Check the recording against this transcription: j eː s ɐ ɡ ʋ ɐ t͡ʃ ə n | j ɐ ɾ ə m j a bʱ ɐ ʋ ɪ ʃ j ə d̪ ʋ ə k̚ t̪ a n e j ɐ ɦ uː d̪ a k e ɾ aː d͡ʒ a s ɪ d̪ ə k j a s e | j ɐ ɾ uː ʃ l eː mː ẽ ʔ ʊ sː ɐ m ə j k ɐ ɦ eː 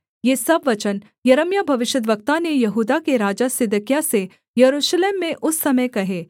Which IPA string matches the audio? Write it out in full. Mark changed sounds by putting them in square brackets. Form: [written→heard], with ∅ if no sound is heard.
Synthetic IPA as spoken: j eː s ɐ [ɡ→b] ʋ ɐ t͡ʃ ə n | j ɐ ɾ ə m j a bʱ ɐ ʋ ɪ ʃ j ə d̪ ʋ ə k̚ t̪ a n e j ɐ ɦ uː d̪ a k e ɾ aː d͡ʒ a s ɪ d̪ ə k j a s e | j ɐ ɾ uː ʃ l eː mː ẽ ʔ ʊ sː ɐ m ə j k ɐ ɦ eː